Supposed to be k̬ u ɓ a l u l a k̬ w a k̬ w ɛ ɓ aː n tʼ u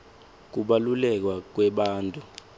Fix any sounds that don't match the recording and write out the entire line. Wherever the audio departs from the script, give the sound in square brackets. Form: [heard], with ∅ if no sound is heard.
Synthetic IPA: k̬ u ɓ a l u l [ɛ] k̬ w a k̬ w ɛ ɓ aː n tʼ u